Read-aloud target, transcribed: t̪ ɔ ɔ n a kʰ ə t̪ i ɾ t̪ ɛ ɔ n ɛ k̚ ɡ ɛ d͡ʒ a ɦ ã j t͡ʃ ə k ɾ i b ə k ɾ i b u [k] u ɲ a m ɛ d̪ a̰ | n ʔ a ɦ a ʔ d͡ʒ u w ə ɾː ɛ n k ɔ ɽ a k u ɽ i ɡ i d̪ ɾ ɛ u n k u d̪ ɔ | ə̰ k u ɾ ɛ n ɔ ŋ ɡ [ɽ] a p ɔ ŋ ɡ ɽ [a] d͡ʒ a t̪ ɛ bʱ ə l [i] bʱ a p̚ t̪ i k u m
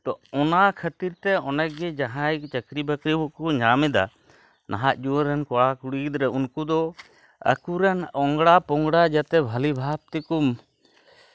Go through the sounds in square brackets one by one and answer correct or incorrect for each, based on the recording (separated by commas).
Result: correct, correct, correct, correct